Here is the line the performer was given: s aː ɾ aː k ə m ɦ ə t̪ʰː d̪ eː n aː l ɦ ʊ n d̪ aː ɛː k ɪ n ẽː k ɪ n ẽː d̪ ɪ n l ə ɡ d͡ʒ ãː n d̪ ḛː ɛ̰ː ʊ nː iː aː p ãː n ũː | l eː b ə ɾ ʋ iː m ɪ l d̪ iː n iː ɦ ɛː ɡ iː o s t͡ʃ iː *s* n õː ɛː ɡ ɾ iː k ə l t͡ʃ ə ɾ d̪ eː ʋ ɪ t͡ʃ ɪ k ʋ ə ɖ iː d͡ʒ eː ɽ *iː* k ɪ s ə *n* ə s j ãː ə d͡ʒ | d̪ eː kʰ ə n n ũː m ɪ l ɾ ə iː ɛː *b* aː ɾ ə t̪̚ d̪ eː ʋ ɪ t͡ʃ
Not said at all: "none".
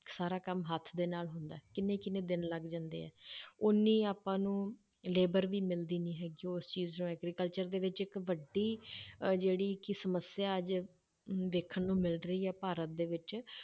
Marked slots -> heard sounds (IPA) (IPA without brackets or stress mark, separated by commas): z, iː, m, p